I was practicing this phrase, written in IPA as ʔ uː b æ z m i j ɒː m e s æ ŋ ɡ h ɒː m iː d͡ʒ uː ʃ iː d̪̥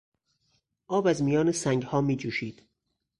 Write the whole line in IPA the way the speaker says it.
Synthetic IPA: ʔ ɒː b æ z m i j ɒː n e s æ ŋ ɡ h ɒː m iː d͡ʒ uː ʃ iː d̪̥